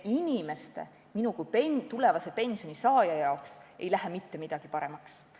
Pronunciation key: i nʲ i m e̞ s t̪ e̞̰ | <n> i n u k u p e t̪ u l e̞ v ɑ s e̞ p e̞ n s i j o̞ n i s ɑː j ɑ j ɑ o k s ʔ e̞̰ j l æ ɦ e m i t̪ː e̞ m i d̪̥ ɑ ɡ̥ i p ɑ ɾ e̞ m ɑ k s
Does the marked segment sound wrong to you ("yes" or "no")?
yes